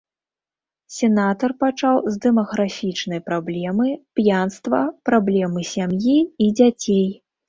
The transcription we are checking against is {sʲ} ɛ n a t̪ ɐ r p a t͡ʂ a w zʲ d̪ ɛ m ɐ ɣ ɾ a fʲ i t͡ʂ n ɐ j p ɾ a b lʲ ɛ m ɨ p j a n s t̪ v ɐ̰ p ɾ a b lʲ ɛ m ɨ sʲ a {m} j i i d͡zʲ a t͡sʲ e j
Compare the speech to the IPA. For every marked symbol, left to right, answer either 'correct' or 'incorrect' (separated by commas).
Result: correct, correct